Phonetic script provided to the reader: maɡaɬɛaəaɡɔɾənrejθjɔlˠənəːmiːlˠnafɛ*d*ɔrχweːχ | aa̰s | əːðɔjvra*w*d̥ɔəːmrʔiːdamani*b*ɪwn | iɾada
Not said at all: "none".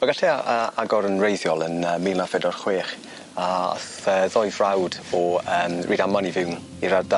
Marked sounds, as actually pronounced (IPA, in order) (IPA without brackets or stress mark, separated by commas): d, w, v